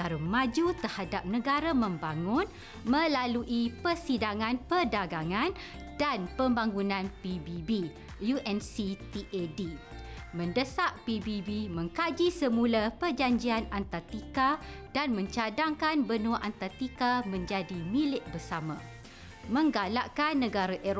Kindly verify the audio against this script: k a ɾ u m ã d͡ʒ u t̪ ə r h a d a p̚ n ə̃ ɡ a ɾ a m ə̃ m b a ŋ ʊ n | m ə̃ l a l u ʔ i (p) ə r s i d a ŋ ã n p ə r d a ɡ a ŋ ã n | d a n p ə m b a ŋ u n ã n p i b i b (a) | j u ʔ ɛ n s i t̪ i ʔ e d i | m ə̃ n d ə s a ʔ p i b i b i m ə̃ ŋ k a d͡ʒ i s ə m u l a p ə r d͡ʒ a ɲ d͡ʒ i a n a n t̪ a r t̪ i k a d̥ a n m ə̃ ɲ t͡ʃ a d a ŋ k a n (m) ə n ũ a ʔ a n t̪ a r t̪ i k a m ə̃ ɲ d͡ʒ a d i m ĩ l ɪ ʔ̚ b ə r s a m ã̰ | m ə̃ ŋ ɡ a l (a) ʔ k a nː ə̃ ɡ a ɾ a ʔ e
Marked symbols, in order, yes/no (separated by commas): yes, no, no, yes